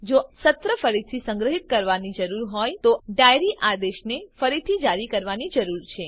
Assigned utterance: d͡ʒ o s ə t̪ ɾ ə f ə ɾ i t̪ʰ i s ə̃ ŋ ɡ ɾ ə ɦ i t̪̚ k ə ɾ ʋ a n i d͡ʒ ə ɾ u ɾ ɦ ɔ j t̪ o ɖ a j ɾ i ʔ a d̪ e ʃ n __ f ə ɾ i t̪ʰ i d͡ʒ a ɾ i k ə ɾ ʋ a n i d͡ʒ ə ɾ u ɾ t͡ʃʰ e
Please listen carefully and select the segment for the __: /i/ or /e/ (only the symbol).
e